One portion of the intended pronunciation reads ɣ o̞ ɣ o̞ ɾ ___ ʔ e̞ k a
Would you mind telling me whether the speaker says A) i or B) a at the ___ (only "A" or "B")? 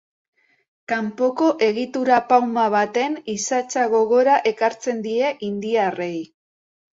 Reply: B